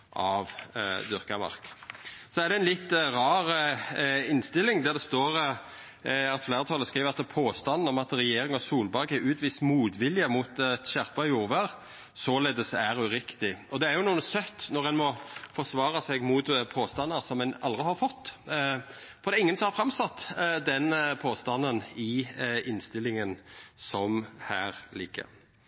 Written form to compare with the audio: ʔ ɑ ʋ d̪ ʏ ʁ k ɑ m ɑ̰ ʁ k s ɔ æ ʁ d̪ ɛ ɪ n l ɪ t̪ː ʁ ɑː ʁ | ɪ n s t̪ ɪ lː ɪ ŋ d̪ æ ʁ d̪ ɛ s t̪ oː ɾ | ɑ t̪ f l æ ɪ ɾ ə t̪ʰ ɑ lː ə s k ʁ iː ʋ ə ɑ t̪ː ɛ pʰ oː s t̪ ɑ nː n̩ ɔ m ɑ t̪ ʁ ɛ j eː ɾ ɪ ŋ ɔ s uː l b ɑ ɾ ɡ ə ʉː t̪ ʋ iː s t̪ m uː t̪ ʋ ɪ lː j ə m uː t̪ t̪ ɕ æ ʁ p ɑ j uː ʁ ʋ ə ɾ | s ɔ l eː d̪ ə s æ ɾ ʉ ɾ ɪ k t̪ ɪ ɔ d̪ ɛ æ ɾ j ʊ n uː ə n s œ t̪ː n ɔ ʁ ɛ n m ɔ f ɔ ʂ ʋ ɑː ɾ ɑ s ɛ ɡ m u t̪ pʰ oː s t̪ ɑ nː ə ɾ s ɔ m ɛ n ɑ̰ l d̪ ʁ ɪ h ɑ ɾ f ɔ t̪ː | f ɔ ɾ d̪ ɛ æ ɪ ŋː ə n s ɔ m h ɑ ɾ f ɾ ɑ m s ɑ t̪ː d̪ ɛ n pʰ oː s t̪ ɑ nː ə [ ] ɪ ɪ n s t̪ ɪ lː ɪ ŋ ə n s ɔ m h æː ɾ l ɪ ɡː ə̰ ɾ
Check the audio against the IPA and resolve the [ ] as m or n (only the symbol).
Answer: n